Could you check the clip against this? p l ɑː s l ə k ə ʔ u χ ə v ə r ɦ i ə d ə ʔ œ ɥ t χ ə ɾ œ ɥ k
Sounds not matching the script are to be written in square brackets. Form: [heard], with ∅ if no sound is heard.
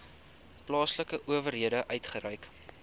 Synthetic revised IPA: p l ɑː s l ə k ə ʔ u [∅] ə v ə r ɦ i ə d ə ʔ œ ɥ t χ ə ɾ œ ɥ k